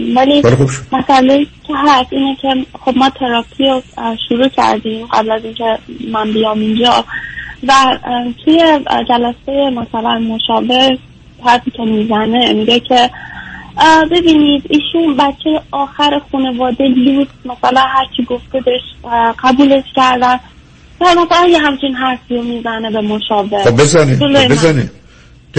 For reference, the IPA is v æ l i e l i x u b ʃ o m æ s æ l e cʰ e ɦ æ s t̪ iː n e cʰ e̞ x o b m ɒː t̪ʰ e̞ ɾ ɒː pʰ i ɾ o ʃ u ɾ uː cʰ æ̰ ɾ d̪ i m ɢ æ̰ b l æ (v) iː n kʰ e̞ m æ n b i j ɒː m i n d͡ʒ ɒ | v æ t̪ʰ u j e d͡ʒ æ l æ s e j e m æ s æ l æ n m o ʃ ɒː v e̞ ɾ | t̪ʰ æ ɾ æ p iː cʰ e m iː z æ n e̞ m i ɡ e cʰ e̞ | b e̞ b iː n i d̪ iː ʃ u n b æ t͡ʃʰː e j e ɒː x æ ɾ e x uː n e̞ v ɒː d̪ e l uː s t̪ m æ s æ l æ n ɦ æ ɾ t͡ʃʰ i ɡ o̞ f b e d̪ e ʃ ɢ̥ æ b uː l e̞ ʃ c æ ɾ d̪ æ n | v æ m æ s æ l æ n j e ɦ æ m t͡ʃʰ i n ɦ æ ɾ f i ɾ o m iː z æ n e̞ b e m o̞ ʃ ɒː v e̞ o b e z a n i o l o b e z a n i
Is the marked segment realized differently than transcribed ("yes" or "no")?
yes